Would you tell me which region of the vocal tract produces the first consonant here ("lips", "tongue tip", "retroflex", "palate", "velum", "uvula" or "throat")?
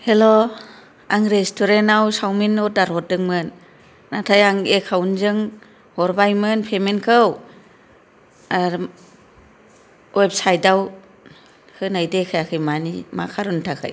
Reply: throat